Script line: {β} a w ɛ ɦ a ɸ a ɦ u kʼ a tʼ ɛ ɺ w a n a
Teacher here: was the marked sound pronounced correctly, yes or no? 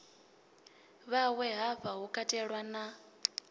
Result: yes